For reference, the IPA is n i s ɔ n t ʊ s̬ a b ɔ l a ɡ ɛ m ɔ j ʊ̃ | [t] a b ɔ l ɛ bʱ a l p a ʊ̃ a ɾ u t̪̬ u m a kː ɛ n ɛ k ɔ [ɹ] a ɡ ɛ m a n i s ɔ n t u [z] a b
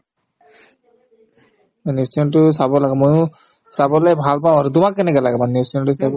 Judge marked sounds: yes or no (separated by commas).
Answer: no, no, no